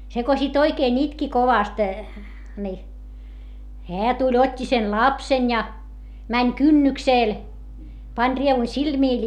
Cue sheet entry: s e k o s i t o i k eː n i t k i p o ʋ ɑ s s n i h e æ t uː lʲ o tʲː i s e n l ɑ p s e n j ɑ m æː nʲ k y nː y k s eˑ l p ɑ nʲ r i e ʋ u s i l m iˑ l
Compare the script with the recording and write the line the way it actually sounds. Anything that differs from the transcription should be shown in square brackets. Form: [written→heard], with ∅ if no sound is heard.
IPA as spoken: s e k o s i t o i k eː n i t k i [p→k] o ʋ ɑ s [s→t] n i h e æ t [uː→u] lʲ o tʲː i s e n l ɑ p s e n j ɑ m [æː→æ] nʲ k y nː y k s eˑ l p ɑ nʲ r i e ʋ u s i l m iˑ l